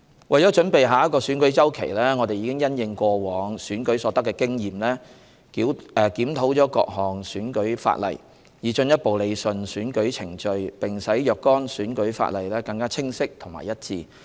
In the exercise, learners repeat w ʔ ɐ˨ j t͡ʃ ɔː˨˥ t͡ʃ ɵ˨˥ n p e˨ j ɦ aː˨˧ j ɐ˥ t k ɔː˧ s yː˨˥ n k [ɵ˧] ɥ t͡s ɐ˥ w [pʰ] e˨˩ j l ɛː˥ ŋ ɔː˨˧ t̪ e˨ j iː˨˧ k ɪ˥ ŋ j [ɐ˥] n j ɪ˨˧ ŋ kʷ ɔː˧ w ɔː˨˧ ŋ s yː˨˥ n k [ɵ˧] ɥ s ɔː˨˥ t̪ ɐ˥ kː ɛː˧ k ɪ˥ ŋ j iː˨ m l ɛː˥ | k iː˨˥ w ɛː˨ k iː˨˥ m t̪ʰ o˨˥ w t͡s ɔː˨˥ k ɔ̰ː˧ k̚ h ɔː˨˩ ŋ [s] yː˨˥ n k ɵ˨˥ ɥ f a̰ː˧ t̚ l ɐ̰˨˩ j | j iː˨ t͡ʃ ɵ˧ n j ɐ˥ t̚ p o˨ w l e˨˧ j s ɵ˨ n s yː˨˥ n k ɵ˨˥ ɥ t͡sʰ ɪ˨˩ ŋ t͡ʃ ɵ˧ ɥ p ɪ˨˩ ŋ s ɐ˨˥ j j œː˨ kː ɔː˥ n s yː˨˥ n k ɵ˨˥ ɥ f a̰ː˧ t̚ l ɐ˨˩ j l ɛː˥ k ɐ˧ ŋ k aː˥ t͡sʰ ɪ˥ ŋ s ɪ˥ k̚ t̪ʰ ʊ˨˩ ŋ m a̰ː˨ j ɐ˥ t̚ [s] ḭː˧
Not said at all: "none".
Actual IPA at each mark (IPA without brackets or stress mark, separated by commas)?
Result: ɵ˨˥, kʰ, ɐ˥, ɵ˨˥, s, t͡s